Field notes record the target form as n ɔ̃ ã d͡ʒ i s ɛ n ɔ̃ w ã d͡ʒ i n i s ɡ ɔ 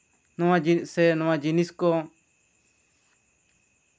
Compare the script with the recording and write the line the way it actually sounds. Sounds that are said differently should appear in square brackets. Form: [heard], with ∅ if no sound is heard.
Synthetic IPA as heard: n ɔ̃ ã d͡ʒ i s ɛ n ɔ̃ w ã d͡ʒ i n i s [k] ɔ